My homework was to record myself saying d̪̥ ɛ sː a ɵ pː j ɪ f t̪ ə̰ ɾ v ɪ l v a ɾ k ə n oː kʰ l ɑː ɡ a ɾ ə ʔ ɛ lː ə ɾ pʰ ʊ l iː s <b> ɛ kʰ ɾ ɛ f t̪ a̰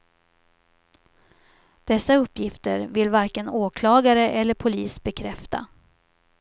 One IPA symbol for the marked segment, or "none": b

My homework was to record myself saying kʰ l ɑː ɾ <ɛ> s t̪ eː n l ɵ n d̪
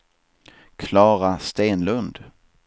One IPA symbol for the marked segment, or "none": a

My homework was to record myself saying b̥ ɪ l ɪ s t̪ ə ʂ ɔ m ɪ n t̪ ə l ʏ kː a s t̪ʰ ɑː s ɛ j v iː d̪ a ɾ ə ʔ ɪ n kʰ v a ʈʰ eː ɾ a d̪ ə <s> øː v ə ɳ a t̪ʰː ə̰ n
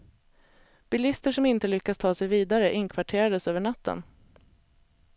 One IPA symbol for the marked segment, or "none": s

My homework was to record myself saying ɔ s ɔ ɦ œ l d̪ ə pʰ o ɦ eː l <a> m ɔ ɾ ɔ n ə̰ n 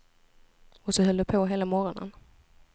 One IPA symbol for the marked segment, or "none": a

